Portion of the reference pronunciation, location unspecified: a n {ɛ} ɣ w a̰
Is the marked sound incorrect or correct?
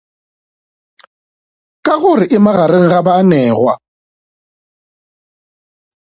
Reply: incorrect